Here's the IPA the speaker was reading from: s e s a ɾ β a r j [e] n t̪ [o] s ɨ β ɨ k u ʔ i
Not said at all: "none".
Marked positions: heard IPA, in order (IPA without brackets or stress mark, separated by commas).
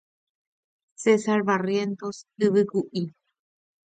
e, o